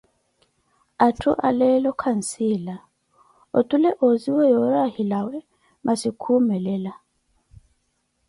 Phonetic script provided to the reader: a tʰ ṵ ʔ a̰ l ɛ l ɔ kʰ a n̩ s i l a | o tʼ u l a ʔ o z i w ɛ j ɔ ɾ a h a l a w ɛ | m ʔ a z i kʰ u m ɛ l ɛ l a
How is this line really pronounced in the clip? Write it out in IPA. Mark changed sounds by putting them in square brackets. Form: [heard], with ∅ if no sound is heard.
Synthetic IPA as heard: a tʰ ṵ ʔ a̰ l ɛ l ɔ kʰ a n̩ s i l a | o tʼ u l [ɛ] ʔ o z i w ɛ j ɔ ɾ a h [i] l a w ɛ | m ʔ a [s] i kʰ u m ɛ l ɛ l a